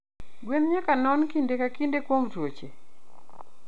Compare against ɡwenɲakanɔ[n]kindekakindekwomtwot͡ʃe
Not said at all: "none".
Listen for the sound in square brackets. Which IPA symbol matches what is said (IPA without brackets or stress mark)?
n